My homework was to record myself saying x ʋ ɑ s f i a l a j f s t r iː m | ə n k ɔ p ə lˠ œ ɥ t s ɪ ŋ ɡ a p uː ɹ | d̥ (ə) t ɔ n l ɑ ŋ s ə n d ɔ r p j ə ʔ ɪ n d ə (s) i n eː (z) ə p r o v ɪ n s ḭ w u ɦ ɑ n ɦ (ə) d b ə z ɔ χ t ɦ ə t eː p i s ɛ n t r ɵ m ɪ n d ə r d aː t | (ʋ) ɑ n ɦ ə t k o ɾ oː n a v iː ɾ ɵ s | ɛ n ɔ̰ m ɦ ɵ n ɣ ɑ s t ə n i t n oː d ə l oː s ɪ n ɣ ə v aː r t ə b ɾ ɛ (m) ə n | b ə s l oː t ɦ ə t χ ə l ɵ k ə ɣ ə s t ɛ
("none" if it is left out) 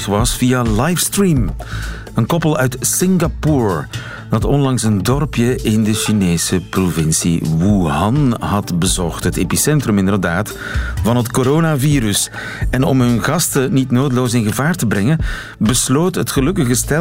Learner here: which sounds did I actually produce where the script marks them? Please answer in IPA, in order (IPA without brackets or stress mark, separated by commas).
ɑ, ʃ, s, ɑ, v, ŋ